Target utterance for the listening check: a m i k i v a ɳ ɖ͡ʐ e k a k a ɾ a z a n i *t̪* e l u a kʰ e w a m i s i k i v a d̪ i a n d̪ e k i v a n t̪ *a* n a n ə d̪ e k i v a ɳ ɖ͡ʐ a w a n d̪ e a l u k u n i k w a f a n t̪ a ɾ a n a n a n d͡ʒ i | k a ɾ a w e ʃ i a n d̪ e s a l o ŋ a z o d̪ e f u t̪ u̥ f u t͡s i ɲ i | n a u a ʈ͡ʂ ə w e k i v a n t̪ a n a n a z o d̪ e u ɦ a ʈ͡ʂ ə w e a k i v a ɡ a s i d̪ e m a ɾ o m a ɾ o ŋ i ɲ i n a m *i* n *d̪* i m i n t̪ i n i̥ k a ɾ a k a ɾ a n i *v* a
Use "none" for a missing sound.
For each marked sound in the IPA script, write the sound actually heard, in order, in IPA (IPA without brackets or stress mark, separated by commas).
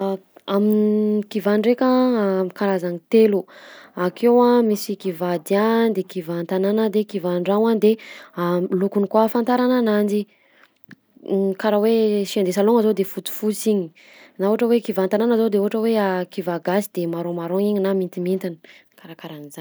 t̪, a, i, t̪, z